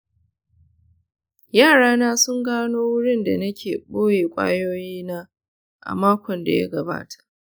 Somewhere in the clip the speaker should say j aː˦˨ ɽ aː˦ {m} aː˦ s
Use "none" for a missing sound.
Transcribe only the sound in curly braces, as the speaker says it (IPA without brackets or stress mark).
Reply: n